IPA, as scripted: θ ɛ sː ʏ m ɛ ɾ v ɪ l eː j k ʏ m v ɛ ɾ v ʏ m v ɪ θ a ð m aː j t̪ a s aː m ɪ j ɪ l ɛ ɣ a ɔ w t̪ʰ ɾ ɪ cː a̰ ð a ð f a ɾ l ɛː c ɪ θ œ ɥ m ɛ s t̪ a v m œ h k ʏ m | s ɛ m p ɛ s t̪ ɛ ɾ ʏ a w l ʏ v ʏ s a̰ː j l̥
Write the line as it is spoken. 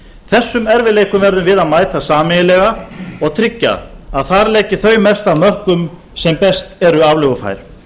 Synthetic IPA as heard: θ ɛ sː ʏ m ɛ ɾ v ɪ l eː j k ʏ m v ɛ ɾ ð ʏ m v ɪ ð a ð m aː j t̪ a s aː m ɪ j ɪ l ɛ ɣ a ɔ ɣ t̪ʰ ɾ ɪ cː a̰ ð a ð θ a ɾ l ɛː c ɪ θ œ ɥ m ɛ s t̪ a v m œ h k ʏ m | s ɛ m p ɛ s t̪ ɛ ɾ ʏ a v l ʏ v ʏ f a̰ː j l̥